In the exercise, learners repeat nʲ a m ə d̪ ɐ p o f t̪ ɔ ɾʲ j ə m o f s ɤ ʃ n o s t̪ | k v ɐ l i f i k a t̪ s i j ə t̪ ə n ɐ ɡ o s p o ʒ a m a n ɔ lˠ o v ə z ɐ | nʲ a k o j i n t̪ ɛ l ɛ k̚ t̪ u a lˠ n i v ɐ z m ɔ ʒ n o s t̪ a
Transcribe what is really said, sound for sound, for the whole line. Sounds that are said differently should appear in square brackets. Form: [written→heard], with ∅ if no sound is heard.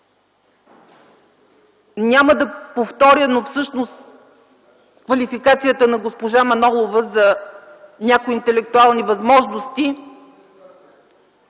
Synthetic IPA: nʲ a m ə d̪ ɐ p o f t̪ ɔ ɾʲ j ə [m→n] o f s ɤ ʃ n o s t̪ | k v ɐ l i f i k a t̪ s i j ə t̪ ə n ɐ ɡ o s p o ʒ a m [a→ɐ] n ɔ lˠ o v ə z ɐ | nʲ a k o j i n t̪ ɛ l ɛ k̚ t̪ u a lˠ n i v ɐ z m ɔ ʒ n o s t̪ [a→i]

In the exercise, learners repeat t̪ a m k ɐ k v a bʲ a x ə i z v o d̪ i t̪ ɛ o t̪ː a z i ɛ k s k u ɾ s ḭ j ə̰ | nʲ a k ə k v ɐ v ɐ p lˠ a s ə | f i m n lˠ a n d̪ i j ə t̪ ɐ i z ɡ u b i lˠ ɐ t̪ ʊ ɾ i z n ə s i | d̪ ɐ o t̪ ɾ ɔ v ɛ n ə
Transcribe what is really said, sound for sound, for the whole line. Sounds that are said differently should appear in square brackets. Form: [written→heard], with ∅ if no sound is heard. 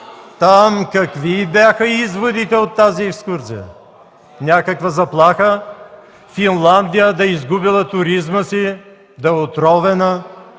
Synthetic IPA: t̪ a m k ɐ k v [a→i] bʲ a x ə i z v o d̪ i t̪ ɛ o t̪ː a z i ɛ k s k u ɾ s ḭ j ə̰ | nʲ a k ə k v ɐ [v→z] ɐ p lˠ a [s→x] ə | f i [m→∅] n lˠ a n d̪ i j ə [t̪→d̪] ɐ i z ɡ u b i lˠ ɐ t̪ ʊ ɾ i z [n→m] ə s i | d̪ ɐ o t̪ ɾ ɔ v ɛ n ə

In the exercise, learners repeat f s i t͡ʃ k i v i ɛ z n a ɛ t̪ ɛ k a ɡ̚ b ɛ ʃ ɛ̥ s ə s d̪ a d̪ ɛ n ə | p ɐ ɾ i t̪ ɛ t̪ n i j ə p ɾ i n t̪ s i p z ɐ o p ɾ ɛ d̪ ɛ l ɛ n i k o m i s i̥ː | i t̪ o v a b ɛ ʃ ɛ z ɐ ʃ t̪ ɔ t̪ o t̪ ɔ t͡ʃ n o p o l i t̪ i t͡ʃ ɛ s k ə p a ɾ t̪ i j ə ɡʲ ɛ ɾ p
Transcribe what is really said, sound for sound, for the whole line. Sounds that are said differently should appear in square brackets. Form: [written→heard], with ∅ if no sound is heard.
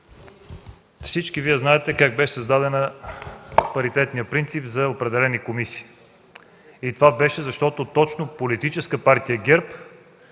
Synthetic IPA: f s i t͡ʃ k i v i ɛ z n a ɛ t̪ ɛ k a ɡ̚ b ɛ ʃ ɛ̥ s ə [s→z] d̪ a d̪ ɛ n ə | p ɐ ɾ i t̪ ɛ t̪ n i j ə p ɾ i n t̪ s i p z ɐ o p ɾ ɛ d̪ ɛ l ɛ n i k o m i s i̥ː | i t̪ o v a b ɛ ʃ ɛ z ɐ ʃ t̪ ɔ t̪ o t̪ ɔ t͡ʃ n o p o l i t̪ i t͡ʃ ɛ s k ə p a ɾ t̪ i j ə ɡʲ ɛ ɾ p

